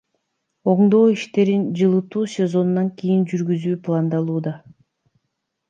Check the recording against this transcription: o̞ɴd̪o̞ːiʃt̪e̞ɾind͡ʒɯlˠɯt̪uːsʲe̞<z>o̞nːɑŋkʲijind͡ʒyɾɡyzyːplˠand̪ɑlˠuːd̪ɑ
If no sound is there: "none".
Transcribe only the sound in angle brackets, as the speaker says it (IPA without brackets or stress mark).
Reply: z